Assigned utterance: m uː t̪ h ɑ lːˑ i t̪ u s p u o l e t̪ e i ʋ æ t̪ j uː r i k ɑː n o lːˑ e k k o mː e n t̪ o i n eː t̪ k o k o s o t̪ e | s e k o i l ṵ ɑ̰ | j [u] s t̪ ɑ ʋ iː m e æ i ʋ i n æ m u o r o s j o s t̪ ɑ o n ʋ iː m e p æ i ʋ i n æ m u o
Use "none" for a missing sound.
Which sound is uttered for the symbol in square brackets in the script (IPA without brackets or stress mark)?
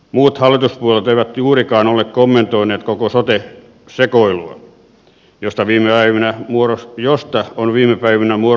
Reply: o